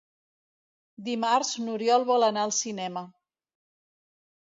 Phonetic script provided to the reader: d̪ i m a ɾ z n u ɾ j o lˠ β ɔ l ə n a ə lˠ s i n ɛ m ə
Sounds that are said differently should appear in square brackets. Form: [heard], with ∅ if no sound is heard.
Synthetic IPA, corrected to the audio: d̪ i m a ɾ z n u ɾ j [ɔ] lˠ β ɔ l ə n a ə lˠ s i n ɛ m ə